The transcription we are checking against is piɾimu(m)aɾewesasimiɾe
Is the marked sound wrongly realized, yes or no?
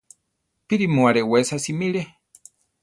yes